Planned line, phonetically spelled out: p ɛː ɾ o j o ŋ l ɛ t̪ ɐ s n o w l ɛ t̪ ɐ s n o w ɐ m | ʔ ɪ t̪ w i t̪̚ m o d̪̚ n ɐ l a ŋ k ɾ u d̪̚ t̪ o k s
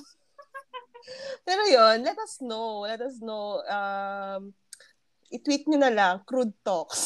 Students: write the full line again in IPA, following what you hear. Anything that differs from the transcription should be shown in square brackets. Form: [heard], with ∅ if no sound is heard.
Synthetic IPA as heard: p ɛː ɾ o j o [n] l ɛ t̪ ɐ s n o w l ɛ t̪ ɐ s n o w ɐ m | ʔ ɪ t̪ w i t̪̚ [ɲ] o [∅] n ɐ l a ŋ k ɾ u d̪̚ t̪ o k s